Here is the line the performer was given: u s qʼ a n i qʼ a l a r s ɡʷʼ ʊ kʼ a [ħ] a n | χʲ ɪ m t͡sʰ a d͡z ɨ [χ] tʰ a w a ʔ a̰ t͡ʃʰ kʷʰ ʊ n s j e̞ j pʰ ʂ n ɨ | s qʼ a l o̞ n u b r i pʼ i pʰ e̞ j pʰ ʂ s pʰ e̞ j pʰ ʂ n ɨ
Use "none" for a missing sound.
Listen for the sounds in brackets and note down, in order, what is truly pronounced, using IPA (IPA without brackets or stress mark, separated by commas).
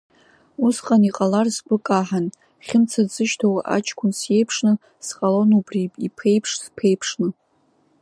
ħ, ʃ